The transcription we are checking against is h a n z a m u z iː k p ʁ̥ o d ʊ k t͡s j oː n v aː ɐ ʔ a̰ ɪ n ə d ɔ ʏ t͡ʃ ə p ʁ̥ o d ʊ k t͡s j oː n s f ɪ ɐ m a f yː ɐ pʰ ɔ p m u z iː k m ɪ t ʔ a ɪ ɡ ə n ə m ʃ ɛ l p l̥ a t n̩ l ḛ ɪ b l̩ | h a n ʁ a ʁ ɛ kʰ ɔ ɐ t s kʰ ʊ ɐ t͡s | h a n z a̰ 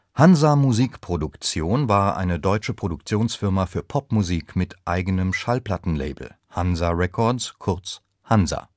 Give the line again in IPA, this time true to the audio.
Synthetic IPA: h a n z a m u z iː k p ʁ̥ o d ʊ k t͡s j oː n v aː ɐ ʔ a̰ ɪ n ə d ɔ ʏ t͡ʃ ə p ʁ̥ o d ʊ k t͡s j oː n s f ɪ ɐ m a f yː ɐ pʰ ɔ p m u z iː k m ɪ t ʔ a ɪ ɡ ə n ə m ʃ a l p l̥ a t n̩ l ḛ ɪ b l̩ | h a n z a ʁ ɛ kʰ ɔ ɐ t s kʰ ʊ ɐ t͡s | h a n z a̰